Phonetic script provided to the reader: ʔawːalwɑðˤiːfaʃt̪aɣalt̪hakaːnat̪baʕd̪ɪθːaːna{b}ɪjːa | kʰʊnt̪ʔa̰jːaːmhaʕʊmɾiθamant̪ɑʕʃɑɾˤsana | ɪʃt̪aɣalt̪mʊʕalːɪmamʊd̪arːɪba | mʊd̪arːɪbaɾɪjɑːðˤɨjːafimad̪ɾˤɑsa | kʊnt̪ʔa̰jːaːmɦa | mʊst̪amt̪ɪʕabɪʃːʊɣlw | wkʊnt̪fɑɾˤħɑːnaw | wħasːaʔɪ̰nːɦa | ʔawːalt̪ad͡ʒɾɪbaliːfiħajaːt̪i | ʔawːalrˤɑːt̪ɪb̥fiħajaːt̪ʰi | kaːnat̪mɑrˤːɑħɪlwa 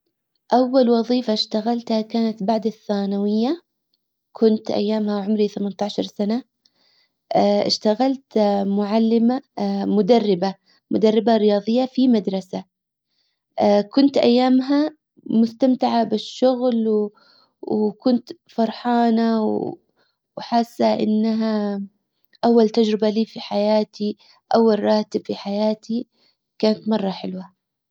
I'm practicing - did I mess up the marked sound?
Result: yes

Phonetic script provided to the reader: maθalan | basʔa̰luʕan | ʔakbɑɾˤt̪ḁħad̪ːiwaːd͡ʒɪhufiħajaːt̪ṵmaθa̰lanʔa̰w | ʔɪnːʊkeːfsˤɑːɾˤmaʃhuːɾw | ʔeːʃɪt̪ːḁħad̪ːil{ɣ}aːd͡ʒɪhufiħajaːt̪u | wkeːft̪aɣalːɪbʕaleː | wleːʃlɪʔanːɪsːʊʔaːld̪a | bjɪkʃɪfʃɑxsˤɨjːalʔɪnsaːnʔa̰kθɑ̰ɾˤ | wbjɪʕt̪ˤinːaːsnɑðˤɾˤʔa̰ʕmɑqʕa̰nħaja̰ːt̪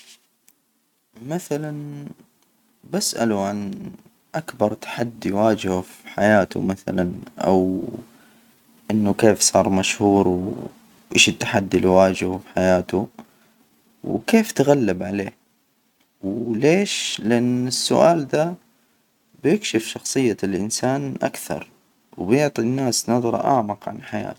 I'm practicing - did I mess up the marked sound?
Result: yes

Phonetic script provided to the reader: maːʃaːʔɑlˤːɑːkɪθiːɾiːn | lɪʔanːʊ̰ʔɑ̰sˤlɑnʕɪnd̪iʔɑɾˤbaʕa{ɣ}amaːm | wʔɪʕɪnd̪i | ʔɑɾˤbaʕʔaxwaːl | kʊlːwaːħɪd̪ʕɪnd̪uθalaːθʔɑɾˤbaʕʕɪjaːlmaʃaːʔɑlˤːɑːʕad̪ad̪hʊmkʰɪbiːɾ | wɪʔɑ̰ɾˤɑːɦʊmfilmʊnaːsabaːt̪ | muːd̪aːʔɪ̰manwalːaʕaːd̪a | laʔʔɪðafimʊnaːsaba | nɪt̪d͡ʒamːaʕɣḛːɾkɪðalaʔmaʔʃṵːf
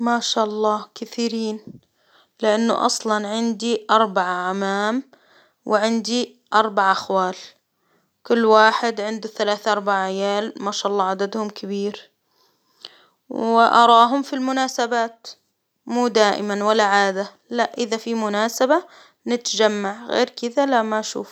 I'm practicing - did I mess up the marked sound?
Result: yes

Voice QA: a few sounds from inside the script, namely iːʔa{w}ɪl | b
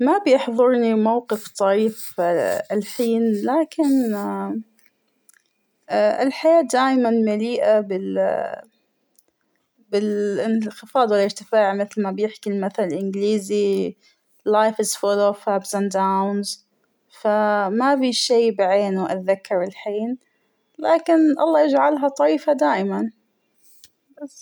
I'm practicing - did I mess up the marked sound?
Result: yes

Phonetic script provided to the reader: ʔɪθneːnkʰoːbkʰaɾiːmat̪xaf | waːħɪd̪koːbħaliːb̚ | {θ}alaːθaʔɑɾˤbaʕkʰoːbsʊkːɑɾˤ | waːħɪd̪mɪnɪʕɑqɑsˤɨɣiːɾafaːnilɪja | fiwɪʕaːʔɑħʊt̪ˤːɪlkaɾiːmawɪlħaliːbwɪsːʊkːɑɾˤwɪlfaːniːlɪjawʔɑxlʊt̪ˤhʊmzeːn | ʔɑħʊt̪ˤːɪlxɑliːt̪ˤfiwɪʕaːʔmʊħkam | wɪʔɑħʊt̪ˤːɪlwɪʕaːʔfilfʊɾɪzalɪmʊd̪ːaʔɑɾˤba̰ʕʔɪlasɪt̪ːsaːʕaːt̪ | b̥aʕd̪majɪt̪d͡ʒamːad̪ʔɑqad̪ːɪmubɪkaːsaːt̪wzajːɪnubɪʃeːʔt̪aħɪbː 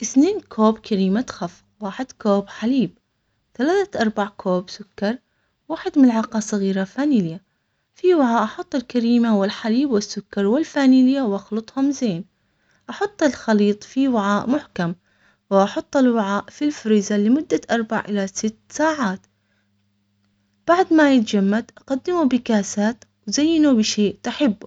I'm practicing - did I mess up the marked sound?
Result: no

